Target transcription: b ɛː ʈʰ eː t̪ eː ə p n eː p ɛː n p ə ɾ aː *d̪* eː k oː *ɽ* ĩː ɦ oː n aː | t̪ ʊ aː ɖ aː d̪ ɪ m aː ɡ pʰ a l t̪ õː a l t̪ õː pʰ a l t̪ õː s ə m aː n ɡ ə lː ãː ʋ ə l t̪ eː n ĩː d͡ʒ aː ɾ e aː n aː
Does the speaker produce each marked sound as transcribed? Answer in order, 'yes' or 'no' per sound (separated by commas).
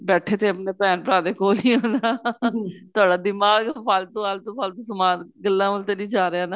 yes, no